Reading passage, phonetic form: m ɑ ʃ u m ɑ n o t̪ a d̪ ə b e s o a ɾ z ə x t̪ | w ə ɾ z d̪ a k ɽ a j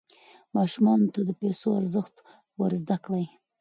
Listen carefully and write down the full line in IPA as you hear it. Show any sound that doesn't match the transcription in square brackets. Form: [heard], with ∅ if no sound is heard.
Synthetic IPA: m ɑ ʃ u m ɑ n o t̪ a d̪ ə [p] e s o a ɾ z ə x t̪ | w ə ɾ z d̪ a k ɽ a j